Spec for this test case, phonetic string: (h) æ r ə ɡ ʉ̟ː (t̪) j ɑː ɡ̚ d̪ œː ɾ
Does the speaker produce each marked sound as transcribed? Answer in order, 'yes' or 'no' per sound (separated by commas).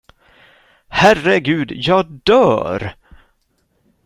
yes, no